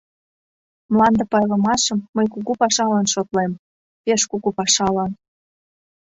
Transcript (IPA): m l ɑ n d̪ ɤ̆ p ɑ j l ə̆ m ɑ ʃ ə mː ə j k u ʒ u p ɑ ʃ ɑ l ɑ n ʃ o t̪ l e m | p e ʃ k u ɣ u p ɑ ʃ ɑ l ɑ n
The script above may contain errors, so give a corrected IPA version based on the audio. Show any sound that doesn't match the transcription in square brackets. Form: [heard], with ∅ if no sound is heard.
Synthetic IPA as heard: m l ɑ n d̪ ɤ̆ p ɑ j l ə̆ m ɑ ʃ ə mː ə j k u [ɣ] u p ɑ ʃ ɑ l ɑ n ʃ o t̪ l e m | p e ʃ k u ɣ u p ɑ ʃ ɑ l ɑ n